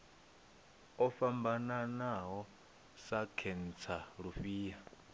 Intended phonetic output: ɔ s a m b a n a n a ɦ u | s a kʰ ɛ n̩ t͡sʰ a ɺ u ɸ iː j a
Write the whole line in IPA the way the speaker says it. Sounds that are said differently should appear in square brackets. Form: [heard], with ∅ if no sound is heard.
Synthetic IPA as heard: ɔ [f] a m b a n a n a ɦ [ɔ] | s a kʰ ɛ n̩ t͡sʰ a ɺ u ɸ iː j a

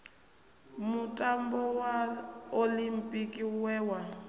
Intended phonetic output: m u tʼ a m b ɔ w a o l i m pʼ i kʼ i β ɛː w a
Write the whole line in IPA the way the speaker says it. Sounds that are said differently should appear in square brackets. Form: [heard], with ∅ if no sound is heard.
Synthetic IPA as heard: m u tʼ a m b ɔ w a o l i m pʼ i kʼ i [w] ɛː w a

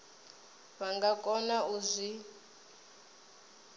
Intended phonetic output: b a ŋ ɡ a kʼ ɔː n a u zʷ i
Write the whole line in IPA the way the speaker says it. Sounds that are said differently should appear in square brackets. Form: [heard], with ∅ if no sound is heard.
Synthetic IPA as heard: [β] a ŋ ɡ a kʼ [ɔ] n a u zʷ i

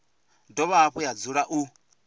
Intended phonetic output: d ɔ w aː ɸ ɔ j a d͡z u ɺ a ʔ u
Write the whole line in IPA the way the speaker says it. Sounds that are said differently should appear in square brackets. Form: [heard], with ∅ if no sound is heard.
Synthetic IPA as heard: d ɔ [β] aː ɸ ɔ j a d͡z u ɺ a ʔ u

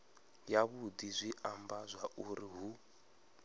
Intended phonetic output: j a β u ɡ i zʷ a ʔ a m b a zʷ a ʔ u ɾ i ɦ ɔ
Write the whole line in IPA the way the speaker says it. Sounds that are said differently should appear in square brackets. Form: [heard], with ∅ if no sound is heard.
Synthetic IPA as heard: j a β u [d] i zʷ [i] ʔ a m b a zʷ a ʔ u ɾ i ɦ [u]

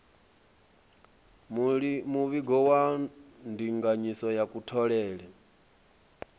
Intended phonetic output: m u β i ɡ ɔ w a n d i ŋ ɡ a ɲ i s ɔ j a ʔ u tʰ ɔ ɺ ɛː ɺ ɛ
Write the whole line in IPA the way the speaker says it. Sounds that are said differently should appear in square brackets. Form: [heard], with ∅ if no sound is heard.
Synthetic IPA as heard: m u β i ɡ ɔ w a n d i ŋ ɡ a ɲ i s ɔ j a [k] u tʰ ɔ ɺ ɛː ɺ ɛ

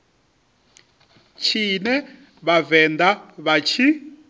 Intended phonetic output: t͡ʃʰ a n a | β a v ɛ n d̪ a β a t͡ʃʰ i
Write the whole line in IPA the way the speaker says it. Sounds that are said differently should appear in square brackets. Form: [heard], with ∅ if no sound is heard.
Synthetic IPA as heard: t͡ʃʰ [i] n [ɛ] | β a v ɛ n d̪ a β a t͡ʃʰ i

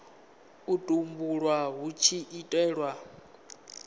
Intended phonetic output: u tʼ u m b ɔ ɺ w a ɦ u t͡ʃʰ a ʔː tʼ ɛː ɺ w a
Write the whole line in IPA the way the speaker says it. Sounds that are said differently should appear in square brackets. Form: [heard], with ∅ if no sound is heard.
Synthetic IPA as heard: u tʼ u m b [u] ɺ w a ɦ u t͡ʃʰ [i] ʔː tʼ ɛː ɺ w a

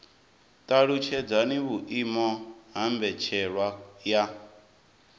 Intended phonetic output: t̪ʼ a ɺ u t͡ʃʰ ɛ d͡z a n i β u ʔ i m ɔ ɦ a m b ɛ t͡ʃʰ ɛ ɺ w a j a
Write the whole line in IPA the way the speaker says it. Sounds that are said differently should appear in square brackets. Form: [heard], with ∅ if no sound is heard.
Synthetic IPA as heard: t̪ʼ a ɺ u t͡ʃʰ ɛ d͡z a n i β u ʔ i m ɔ ɦ a m b ɛ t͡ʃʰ ɛ ɺ w a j a

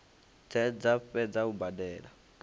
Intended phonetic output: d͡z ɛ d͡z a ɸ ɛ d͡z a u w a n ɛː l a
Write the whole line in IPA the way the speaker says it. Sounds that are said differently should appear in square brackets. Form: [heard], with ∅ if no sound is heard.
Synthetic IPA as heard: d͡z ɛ d͡z a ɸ ɛ d͡z a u [b] a [d] ɛː l a

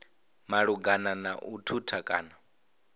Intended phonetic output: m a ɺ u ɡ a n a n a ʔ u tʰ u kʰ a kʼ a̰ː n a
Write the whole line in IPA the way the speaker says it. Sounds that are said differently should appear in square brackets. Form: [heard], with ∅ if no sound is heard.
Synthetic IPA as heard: m a ɺ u ɡ a n a n a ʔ u tʰ u [tʰ] a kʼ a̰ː n a

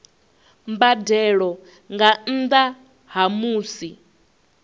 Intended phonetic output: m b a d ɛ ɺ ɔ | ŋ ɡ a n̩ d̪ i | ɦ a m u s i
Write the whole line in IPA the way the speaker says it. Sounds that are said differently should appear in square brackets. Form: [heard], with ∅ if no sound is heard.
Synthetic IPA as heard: m b a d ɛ ɺ ɔ | ŋ ɡ a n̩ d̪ [a] | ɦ a m [uː] s i

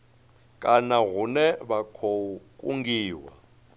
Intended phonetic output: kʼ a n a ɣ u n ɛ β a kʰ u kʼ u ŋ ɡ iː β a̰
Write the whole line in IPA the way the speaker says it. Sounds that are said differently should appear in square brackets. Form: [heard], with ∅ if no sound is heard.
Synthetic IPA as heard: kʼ a n a ɣ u n ɛ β a kʰ [o] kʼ u ŋ ɡ iː [w] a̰

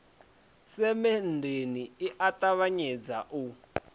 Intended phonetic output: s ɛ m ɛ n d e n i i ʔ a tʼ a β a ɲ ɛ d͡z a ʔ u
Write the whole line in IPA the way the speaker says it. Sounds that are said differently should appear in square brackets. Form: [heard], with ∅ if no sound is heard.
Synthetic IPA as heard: s ɛ m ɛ n d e n i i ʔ a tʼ a β a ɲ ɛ d͡z a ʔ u

